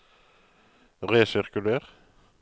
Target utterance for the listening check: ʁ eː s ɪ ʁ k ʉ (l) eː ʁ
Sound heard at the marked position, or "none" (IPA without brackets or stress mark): l